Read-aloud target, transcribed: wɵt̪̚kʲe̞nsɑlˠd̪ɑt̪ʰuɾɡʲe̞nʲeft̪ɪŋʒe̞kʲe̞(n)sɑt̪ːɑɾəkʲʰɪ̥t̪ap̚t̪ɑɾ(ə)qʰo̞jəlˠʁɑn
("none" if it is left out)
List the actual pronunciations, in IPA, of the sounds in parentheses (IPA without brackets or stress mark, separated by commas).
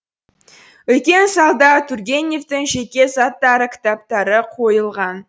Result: none, ə